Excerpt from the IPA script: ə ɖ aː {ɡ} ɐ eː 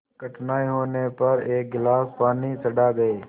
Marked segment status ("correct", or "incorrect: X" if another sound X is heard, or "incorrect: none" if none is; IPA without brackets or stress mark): correct